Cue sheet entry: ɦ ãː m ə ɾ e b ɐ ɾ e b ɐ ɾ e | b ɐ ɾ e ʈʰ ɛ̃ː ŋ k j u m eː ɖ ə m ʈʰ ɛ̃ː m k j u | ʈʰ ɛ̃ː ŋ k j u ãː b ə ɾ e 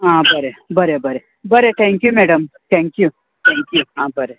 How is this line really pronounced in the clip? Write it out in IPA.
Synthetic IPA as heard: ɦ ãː b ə ɾ e b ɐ ɾ e b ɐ ɾ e | b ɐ ɾ e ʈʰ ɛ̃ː ŋ k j u m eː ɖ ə m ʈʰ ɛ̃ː ŋ k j u | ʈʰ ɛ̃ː ŋ k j u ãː b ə ɾ e

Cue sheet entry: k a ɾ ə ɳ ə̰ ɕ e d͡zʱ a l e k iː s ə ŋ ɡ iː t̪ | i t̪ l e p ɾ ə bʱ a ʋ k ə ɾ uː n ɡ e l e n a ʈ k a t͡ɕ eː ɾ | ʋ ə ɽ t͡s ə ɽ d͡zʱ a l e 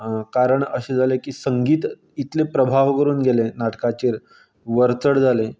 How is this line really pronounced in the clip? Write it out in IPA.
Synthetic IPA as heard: k a ɾ ə ɳ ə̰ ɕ e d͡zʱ a l e k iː s ə ŋ ɡ iː t̪ | i t̪ l e p ɾ ə bʱ a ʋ k ə ɾ uː n ɡ e l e n a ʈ k a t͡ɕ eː ɾ | ʋ ə ɾ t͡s ə ɽ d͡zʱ a l e

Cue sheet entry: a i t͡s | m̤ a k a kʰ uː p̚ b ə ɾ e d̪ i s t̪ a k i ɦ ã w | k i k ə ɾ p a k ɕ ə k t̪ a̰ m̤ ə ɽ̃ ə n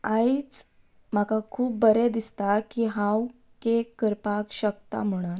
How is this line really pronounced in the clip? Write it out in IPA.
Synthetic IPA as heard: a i t͡s | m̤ a k a kʰ uː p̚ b ə ɾ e d̪ i s t̪ a k i ɦ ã w | k e k ə ɾ p a k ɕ ə k t̪ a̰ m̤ ə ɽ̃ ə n

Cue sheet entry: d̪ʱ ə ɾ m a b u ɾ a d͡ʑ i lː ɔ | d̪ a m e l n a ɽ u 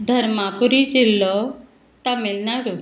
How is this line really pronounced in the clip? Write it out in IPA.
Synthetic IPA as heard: d̪ʱ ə ɾ m a p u ɾ i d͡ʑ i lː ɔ | t̪ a m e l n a ɾ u

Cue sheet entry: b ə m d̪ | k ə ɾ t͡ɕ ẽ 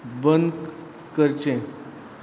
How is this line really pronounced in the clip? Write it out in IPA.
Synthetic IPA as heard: b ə n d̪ | k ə ɾ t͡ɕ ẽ

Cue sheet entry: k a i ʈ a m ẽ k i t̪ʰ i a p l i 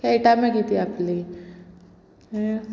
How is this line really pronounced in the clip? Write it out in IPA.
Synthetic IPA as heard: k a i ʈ a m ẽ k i t̪ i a p l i

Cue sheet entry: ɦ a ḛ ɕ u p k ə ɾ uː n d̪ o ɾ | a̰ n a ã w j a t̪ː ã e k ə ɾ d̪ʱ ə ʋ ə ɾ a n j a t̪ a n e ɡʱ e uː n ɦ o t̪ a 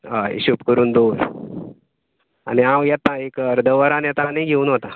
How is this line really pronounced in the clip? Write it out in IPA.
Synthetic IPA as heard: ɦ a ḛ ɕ u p k ə ɾ uː n d̪ o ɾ | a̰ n i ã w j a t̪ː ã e k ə ɾ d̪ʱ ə ʋ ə ɾ a n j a t̪ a n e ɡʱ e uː n ɦ o t̪ a

